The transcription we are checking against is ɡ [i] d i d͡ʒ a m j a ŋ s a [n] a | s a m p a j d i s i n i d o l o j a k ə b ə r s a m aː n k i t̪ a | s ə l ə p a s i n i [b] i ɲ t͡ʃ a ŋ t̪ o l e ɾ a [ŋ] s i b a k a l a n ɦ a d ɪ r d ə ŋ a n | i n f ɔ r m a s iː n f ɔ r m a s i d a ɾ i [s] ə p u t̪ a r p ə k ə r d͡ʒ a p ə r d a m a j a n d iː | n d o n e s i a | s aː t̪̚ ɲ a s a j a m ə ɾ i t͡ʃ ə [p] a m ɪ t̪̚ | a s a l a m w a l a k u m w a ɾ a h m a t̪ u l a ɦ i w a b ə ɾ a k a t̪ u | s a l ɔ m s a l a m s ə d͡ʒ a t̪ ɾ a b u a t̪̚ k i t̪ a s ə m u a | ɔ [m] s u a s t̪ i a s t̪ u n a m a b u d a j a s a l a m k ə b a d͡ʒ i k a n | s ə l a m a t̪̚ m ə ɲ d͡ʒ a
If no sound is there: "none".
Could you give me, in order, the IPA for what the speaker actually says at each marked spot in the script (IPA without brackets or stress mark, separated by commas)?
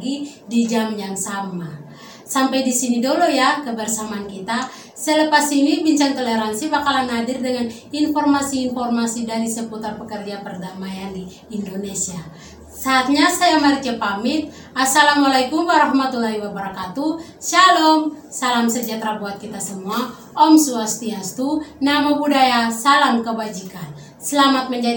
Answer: i, m, b, n, s, p, m